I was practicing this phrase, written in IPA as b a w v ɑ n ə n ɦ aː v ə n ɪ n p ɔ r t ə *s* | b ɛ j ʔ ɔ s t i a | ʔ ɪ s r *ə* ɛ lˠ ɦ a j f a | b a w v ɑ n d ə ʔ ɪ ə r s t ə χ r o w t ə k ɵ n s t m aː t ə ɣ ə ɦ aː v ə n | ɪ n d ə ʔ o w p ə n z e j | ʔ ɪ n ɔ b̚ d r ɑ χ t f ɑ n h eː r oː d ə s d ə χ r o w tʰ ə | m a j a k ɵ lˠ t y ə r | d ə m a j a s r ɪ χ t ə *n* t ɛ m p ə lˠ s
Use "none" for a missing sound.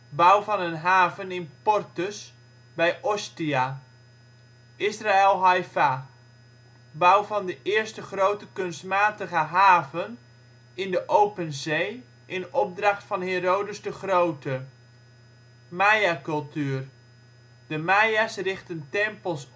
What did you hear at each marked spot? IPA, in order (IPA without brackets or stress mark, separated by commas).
s, a, n